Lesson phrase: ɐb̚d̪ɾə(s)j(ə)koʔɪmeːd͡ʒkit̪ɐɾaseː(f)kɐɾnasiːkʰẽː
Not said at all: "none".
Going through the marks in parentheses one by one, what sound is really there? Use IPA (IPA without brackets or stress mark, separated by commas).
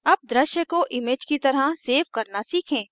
ʃ, ə, f